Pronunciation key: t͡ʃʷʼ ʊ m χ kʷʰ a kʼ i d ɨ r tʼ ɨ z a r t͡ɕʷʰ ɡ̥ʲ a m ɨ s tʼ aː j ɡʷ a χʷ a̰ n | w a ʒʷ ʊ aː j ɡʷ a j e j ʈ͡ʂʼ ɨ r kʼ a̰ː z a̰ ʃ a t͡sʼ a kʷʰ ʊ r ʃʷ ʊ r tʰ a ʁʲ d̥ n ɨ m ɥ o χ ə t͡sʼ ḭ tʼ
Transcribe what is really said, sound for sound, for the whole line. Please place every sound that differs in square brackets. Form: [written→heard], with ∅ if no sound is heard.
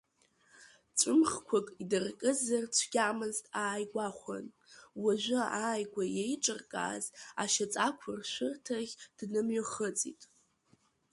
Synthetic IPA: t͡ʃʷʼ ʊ m χ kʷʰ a kʼ i d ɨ r [tʼ→kʼ] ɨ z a r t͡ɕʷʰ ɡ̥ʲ a m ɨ [s→z] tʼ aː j ɡʷ a χʷ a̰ n | w a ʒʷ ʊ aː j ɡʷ a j e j ʈ͡ʂʼ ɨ r kʼ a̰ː z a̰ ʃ a t͡sʼ a kʷʰ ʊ r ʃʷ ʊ r tʰ a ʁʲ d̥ n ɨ m ɥ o χ ə t͡sʼ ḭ tʼ